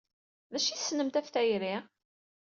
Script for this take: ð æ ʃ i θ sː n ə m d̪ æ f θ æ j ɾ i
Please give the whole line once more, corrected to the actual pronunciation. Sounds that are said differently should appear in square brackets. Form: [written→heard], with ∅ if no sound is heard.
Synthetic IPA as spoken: ð æ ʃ i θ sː n ə m [d̪→t̪] æ f θ æ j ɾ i